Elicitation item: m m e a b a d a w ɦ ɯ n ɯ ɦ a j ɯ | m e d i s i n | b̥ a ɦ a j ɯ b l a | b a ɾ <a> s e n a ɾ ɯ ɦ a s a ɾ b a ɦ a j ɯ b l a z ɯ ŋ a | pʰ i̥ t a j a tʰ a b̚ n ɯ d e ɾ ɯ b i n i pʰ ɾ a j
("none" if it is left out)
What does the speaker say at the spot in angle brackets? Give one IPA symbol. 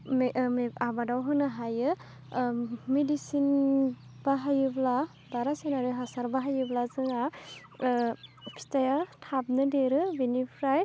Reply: a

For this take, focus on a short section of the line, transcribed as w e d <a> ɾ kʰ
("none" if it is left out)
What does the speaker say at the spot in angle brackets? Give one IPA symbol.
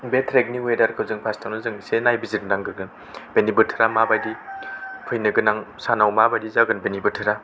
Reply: a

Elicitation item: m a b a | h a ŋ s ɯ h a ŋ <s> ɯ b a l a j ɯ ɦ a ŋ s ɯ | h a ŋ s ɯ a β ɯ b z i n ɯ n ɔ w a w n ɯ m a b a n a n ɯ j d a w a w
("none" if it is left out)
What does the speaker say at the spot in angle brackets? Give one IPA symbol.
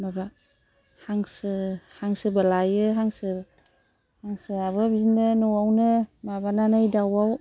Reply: s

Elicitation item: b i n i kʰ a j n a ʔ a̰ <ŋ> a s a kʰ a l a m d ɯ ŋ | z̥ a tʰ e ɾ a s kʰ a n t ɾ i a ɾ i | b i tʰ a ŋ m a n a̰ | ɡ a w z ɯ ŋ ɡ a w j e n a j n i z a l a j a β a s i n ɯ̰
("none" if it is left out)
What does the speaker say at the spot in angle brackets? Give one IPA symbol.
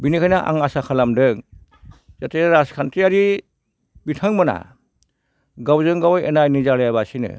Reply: ŋ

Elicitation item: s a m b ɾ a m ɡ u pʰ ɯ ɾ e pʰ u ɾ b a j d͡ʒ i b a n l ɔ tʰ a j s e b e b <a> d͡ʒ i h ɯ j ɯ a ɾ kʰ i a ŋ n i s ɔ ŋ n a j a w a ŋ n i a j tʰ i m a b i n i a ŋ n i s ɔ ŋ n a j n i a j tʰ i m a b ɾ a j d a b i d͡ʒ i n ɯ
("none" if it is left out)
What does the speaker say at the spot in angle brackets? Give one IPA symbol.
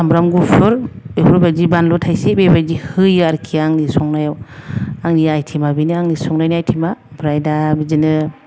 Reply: a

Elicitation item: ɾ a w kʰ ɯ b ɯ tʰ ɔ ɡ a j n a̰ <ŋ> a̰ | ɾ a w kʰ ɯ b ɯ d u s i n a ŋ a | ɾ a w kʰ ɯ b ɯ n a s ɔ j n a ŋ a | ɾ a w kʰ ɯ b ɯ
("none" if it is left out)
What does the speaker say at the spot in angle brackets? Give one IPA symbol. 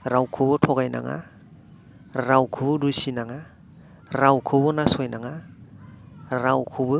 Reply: ŋ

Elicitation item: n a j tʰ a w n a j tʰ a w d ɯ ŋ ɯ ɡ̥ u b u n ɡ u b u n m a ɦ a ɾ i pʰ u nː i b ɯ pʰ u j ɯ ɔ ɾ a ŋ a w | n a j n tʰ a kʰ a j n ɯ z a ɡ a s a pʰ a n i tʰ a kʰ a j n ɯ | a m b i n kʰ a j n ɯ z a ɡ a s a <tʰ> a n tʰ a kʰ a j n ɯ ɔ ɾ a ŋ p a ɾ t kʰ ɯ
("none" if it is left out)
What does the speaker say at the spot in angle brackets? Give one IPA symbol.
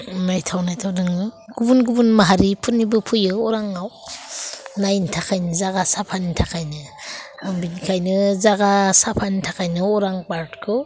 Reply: pʰ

